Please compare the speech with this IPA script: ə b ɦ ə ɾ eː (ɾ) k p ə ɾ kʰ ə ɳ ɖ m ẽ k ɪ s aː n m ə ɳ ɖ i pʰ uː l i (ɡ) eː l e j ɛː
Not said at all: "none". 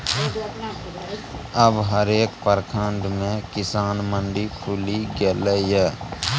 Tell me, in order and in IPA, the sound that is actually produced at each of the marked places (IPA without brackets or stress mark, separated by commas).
none, ɡ